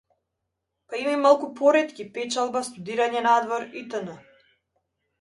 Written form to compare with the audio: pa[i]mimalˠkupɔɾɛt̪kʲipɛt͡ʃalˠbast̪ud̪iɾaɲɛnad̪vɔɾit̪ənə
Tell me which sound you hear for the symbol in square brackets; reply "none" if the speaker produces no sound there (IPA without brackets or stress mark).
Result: i